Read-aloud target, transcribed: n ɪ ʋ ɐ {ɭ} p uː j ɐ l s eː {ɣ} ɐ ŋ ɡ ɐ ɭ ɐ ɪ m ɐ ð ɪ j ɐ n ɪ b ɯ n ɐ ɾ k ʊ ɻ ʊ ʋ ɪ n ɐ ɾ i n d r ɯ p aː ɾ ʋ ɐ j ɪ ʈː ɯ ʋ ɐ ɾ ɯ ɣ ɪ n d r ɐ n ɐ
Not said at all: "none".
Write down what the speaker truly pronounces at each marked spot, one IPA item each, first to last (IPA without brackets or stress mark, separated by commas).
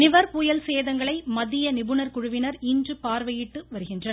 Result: ɾ, ð